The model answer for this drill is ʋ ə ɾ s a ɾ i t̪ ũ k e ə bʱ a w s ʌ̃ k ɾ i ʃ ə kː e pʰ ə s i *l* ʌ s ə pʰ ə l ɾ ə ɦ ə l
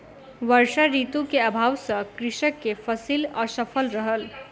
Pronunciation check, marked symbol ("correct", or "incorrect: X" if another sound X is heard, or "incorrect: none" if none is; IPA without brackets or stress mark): correct